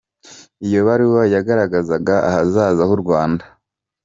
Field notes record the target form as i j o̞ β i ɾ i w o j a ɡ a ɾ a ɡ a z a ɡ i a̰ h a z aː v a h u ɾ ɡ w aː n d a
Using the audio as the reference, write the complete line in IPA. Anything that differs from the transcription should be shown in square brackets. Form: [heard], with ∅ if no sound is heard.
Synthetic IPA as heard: i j o̞ β [a] ɾ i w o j a ɡ a ɾ a ɡ a z a ɡ [a] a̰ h a z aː [z] a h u ɾ ɡ w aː n d a